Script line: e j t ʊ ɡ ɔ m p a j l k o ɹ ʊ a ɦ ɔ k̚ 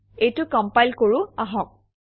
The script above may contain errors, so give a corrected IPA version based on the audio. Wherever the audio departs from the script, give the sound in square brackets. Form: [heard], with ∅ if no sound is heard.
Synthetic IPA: e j t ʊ [k] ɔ m p a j l k o ɹ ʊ a ɦ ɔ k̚